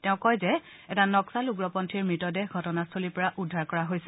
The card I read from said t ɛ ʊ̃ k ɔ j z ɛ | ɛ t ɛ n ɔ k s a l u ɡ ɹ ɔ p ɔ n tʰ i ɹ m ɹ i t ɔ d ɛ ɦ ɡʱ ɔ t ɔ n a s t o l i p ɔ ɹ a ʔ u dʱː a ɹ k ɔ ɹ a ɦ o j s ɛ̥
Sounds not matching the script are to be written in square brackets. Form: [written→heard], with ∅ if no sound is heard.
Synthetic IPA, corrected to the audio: t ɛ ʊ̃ k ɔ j z ɛ | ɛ t [ɛ→a] n ɔ k s a l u ɡ ɹ ɔ p ɔ n tʰ i ɹ m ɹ i t ɔ d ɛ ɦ ɡʱ ɔ t ɔ n a s [t→tʰ] o l i p ɔ ɹ a ʔ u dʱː a ɹ k ɔ ɹ a ɦ o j s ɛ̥